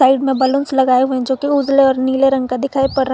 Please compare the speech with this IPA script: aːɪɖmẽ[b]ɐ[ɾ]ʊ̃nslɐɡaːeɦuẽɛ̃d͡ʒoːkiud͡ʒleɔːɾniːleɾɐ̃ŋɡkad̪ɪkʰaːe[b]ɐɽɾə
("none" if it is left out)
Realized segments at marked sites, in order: b, l, p

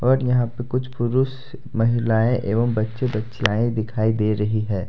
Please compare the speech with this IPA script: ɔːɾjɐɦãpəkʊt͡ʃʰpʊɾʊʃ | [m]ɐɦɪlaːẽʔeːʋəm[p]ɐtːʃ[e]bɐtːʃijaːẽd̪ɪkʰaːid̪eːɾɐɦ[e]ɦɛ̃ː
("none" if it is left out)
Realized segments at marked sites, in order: m, b, e, i

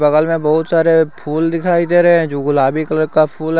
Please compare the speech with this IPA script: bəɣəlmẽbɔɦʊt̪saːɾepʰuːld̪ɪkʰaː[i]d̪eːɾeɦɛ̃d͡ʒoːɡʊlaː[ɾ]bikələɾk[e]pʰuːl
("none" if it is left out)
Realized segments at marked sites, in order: i, none, a

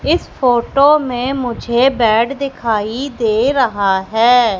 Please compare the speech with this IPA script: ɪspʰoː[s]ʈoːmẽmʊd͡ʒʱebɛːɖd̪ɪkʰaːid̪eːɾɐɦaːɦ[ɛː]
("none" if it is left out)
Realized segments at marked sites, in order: none, ɛː

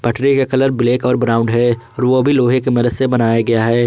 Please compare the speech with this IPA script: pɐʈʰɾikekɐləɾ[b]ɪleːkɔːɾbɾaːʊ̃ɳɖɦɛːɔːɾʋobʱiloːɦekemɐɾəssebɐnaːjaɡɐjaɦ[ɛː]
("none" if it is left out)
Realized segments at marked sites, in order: b, ɛː

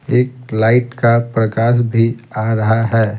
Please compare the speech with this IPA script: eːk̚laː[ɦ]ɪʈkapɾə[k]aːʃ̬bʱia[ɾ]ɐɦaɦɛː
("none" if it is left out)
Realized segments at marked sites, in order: none, k, ɾ

